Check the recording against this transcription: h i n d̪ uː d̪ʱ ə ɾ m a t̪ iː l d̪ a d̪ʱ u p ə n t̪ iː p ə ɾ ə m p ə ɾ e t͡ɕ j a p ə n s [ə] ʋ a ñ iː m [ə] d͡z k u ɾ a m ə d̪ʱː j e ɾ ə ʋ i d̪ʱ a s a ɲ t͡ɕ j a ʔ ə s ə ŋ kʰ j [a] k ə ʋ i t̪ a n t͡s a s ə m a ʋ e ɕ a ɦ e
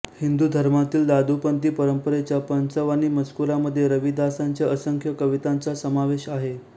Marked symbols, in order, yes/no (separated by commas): yes, yes, no